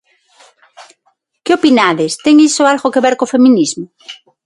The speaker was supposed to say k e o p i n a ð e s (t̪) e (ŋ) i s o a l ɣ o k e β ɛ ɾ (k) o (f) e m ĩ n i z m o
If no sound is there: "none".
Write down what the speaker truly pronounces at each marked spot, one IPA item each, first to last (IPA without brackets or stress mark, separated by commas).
t̪, ŋ, k, f